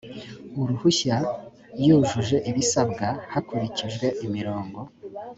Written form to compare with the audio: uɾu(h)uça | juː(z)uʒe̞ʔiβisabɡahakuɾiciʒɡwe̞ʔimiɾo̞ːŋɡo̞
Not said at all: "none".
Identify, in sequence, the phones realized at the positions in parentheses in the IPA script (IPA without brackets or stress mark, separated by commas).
h, ʒ